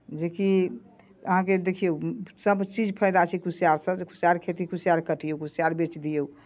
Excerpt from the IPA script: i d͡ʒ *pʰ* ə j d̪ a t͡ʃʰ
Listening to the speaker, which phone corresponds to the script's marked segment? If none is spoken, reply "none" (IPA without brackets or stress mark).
pʰ